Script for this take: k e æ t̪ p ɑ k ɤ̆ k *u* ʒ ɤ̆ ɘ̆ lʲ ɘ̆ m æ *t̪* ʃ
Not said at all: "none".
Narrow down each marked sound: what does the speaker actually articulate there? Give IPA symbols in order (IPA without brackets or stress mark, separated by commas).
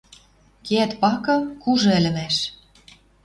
u, none